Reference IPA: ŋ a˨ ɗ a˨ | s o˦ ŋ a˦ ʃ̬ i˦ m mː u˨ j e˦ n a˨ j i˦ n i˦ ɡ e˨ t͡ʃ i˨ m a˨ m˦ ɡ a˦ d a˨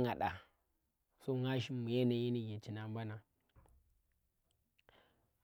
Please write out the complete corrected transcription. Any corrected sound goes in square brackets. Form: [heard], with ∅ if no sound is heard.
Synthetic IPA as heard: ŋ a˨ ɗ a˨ | s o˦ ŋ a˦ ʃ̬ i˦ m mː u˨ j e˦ n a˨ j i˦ n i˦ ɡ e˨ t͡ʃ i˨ [n] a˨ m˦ [b] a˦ [n] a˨